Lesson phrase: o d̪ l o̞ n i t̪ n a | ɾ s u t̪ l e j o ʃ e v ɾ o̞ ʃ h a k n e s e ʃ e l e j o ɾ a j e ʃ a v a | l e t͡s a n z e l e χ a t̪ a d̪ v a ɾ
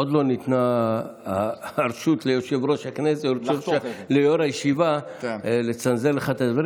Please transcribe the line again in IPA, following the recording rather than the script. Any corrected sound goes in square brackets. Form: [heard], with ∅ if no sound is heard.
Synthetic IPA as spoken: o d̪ l o̞ n i t̪ n a | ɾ [ʃ] u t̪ l e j o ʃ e v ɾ o̞ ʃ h a k n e s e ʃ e l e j o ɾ a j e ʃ [i] v a | l e t͡s a n z e l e χ a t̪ a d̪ v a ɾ